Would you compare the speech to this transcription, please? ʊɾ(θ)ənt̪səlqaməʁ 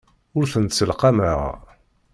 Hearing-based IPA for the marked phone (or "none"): θ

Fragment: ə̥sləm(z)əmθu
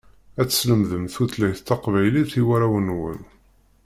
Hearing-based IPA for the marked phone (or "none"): ð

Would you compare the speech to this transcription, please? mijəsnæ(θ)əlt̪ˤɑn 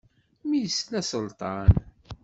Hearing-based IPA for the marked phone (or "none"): s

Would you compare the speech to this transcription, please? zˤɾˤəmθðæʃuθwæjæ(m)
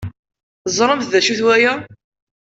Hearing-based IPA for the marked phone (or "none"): none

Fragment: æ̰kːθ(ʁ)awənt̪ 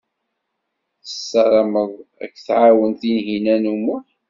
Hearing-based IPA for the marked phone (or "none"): ʕ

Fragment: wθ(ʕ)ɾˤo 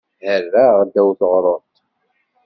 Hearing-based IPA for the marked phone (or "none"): ʁ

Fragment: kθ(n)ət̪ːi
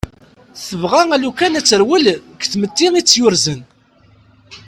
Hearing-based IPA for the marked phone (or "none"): m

